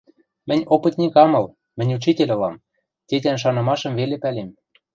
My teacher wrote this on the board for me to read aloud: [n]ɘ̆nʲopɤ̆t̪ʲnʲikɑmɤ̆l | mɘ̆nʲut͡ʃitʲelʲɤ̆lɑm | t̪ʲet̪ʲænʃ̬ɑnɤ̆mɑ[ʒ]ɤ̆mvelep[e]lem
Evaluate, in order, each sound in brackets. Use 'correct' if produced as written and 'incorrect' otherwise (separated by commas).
incorrect, incorrect, incorrect